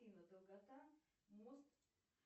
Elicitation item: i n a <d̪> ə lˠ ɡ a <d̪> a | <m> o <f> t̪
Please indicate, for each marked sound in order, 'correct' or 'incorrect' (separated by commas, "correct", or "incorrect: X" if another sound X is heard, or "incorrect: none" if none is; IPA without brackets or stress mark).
correct, incorrect: t̪, correct, incorrect: s